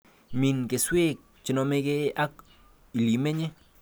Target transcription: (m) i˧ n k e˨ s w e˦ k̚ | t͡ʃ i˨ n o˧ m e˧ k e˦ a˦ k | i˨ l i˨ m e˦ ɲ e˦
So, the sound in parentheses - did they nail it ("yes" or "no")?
yes